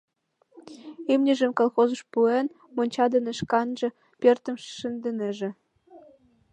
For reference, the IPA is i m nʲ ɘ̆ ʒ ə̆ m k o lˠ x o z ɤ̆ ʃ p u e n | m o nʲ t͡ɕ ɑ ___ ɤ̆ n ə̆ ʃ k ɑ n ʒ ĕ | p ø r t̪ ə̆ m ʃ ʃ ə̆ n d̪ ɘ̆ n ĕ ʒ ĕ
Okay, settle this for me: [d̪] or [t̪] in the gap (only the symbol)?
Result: d̪